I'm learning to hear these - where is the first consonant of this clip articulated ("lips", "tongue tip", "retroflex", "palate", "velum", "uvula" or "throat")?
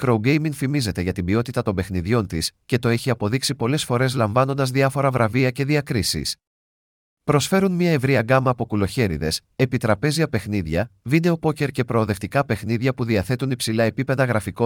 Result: velum